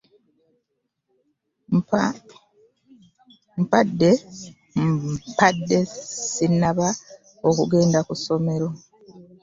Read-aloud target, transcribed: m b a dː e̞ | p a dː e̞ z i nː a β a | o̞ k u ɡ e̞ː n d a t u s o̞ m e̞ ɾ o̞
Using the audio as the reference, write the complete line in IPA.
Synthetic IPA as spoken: m p a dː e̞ | p a dː e̞ s i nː a β a | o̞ k u ɡ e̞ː n d a k u s o̞ m e̞ ɾ o̞